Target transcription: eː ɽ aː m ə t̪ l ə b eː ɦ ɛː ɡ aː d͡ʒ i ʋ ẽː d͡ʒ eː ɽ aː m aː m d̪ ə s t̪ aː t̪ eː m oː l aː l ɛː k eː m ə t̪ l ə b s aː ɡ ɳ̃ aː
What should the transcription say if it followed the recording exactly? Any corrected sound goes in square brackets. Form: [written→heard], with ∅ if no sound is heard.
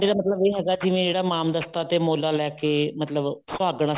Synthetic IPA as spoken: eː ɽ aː m ə t̪ l ə b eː ɦ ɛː ɡ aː d͡ʒ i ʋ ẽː d͡ʒ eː ɽ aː m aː m d̪ ə s t̪ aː t̪ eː m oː l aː l ɛː k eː m ə t̪ l ə b s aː ɡ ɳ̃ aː